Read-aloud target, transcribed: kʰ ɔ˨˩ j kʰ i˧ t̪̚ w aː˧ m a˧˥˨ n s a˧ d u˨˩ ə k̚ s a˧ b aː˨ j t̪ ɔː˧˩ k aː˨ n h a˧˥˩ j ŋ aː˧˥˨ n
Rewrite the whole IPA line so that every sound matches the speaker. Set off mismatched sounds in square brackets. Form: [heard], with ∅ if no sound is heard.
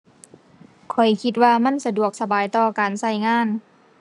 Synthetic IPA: kʰ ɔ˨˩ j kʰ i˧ t̪̚ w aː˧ m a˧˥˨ n s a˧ d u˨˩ ə k̚ s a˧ b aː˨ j t̪ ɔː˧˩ k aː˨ n [s] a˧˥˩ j ŋ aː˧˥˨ n